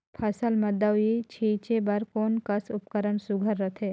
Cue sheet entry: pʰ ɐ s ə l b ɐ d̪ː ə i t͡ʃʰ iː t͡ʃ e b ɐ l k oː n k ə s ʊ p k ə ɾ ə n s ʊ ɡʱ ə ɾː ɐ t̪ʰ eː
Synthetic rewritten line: pʰ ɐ s ə l m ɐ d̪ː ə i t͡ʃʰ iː t͡ʃ e b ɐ ɾ k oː n k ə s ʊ p k ə ɾ ə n s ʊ ɡʱ ə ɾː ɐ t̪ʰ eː